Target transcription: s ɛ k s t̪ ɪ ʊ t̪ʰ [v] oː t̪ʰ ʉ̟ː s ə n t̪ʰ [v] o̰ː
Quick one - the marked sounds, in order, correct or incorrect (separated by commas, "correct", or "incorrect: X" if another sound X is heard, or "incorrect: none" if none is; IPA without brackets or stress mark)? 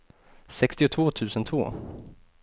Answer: correct, correct